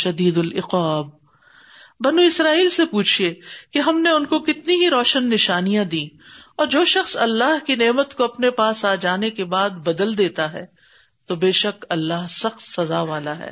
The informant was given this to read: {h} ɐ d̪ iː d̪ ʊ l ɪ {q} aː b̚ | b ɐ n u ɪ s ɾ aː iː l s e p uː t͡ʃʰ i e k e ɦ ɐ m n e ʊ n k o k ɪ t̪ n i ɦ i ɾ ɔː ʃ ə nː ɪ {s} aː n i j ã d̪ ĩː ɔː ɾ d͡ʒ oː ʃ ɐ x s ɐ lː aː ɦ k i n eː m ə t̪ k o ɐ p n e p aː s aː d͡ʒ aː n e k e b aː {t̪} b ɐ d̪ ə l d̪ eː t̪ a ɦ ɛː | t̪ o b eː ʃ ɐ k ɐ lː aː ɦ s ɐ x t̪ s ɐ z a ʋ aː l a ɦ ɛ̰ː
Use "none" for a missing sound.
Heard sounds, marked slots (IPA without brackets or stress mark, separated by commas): ʃ, q, ʃ, d̪